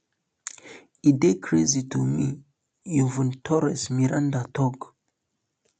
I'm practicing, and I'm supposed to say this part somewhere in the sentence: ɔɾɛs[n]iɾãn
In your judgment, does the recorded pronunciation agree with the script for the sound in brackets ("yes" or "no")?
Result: no